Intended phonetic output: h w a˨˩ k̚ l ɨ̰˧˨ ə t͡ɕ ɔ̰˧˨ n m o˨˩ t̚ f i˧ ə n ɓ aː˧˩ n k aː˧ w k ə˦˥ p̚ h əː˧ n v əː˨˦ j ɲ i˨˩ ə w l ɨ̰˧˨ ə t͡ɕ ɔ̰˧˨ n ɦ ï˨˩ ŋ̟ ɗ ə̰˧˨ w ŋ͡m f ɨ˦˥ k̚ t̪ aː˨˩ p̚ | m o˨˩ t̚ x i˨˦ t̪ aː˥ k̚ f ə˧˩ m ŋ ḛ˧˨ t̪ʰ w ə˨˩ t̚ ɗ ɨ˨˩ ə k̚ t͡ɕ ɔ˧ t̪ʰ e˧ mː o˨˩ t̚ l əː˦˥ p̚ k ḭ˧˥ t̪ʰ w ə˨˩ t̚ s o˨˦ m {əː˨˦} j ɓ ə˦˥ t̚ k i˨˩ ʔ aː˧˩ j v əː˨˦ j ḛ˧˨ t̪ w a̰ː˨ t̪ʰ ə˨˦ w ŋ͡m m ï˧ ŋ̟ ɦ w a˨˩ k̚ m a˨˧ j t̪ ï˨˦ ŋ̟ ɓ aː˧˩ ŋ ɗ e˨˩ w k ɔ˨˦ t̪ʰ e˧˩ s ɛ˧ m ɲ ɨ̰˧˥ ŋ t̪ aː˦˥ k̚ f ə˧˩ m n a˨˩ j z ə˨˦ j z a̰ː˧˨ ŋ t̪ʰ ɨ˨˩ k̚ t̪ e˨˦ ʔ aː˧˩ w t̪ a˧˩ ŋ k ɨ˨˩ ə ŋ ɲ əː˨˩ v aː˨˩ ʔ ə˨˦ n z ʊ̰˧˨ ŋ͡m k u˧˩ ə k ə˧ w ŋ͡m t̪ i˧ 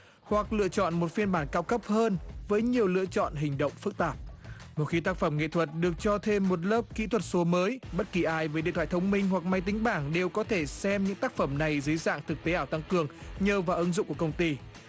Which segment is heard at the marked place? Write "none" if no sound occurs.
əː˨˦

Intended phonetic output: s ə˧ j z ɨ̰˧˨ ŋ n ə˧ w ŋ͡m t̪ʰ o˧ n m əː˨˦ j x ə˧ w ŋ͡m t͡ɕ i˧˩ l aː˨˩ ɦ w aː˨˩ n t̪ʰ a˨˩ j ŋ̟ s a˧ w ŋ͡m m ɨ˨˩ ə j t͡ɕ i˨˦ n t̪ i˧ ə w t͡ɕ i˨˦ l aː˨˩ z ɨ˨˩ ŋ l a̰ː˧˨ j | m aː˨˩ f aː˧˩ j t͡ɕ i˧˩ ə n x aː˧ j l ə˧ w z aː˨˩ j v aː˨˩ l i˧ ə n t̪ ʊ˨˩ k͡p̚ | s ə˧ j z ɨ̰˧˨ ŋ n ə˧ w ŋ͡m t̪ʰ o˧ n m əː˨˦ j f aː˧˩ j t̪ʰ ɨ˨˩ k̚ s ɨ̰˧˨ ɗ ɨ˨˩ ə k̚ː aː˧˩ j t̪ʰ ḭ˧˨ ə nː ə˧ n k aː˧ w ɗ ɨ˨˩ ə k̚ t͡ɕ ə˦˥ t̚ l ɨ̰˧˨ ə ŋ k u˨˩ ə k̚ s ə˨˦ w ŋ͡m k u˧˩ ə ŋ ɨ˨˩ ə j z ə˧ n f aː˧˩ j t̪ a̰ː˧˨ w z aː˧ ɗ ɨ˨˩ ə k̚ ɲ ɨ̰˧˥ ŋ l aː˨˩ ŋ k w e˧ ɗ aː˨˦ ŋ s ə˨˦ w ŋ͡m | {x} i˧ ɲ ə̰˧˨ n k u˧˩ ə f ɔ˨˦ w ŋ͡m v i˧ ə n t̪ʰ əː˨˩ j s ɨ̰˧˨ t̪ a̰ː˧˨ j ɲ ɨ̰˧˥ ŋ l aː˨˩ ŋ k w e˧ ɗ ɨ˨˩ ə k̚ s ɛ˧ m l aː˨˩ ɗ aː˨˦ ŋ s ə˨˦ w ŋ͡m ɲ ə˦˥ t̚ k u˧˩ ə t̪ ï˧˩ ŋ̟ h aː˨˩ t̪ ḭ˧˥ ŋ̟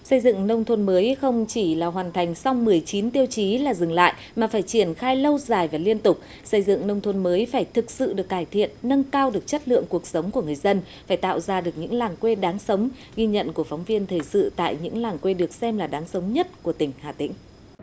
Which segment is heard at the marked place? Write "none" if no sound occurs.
ɣ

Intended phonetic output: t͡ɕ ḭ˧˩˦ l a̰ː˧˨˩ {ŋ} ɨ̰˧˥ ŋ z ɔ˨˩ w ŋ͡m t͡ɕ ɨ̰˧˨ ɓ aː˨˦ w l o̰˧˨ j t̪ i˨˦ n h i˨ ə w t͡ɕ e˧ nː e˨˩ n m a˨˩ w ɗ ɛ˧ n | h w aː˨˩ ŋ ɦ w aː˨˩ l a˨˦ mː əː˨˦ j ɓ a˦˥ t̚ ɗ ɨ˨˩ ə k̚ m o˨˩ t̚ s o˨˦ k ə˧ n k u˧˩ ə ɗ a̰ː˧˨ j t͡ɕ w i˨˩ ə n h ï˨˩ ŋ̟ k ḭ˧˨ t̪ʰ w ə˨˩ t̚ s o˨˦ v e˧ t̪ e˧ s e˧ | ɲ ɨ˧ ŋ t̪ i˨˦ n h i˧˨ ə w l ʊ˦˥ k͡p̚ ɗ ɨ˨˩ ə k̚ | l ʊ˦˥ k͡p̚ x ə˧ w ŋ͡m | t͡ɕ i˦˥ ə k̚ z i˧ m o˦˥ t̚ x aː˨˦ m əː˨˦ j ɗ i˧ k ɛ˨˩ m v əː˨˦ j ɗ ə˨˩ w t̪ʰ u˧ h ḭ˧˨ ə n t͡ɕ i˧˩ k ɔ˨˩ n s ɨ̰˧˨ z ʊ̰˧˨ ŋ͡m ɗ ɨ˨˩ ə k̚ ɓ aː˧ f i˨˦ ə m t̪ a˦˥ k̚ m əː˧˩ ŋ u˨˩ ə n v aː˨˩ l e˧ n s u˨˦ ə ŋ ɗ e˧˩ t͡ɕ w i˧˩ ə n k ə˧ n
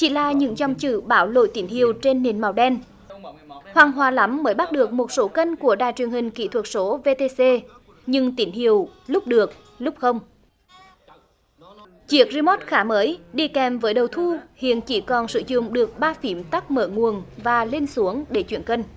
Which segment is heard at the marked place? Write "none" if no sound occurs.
ɲ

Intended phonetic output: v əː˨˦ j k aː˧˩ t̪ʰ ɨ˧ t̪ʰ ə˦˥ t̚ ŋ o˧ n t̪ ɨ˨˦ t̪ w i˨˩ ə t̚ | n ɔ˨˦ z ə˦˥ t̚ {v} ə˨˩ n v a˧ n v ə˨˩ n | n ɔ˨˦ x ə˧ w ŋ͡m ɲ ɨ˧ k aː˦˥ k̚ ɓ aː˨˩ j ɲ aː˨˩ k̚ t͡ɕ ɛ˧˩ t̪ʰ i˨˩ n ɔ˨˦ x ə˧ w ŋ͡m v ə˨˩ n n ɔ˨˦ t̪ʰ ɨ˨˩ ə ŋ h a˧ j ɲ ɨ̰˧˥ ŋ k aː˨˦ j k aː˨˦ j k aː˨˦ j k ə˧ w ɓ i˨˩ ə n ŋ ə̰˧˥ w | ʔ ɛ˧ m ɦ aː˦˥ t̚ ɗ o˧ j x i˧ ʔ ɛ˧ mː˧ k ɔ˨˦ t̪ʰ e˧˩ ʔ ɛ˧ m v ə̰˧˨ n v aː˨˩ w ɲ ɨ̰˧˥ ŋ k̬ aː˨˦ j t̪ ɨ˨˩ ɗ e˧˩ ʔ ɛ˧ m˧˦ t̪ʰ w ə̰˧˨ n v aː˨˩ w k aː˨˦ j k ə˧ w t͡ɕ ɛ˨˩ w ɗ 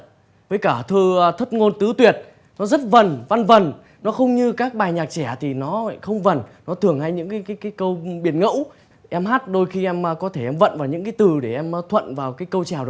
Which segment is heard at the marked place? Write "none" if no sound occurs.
v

